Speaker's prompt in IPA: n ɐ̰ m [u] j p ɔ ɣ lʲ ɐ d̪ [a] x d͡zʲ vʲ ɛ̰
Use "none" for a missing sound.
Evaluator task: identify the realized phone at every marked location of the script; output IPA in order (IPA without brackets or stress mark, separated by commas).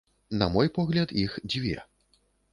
ɔ, i